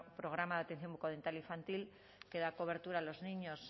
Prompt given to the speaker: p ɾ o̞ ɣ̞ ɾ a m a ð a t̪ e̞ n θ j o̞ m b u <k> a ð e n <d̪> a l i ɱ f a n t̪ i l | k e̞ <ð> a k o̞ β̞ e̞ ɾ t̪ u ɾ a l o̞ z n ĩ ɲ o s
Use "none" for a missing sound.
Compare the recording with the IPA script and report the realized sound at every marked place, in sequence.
k, t̪, ð

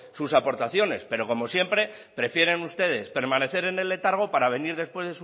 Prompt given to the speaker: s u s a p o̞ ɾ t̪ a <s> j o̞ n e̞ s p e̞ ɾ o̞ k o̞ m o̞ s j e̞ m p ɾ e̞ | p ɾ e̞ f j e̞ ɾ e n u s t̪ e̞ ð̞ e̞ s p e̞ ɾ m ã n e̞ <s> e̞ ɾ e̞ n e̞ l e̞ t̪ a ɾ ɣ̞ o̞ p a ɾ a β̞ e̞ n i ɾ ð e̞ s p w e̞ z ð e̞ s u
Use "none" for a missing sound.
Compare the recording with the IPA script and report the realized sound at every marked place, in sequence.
θ, θ

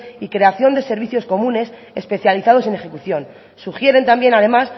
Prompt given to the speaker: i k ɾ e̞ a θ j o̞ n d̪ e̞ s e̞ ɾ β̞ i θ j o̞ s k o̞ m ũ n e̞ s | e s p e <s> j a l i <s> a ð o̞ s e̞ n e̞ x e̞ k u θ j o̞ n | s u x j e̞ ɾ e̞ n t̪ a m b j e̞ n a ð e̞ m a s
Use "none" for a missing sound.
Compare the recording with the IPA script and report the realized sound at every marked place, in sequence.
θ, θ

